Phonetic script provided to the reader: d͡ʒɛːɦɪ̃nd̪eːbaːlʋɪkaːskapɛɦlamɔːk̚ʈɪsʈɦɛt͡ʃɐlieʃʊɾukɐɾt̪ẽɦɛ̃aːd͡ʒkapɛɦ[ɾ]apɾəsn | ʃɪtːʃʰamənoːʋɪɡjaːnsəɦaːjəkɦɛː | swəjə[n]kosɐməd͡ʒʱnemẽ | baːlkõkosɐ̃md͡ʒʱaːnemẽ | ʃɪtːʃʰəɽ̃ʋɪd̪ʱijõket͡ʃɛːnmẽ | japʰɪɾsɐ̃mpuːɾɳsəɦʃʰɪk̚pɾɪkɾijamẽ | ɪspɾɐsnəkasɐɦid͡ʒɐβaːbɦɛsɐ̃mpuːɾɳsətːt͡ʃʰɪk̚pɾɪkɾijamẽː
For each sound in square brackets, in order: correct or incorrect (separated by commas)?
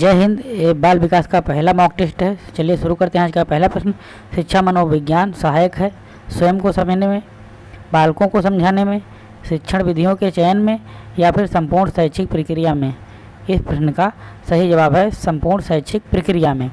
incorrect, incorrect